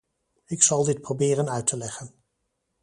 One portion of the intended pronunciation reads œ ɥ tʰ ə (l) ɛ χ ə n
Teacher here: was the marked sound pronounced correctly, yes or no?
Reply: yes